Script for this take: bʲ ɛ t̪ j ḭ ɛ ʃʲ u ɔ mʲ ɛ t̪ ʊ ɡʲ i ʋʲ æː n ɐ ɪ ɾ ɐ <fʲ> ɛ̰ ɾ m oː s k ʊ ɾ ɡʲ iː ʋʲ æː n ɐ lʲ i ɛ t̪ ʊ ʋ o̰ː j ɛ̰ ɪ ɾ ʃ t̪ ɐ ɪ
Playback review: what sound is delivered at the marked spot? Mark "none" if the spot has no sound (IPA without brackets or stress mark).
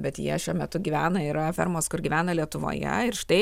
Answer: fʲ